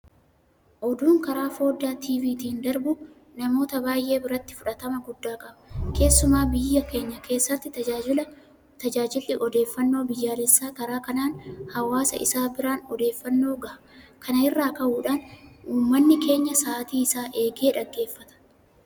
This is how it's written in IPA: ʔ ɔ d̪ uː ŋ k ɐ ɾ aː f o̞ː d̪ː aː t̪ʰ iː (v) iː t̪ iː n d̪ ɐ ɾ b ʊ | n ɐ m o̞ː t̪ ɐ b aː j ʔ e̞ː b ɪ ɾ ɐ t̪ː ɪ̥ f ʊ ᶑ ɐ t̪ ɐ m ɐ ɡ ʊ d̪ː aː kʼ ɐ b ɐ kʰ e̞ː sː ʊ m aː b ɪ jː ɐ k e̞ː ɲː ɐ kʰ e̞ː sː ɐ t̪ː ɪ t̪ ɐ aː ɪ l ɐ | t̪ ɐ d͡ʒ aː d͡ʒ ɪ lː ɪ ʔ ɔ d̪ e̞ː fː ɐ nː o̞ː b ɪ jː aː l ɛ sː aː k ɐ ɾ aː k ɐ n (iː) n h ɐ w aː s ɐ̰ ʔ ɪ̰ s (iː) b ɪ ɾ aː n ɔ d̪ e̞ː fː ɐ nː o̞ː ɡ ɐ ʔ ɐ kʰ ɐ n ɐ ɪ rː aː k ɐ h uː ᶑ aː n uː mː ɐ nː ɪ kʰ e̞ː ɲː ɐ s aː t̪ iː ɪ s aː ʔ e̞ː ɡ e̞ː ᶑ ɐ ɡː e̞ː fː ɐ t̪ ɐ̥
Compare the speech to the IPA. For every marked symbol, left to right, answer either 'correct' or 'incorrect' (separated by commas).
correct, incorrect, incorrect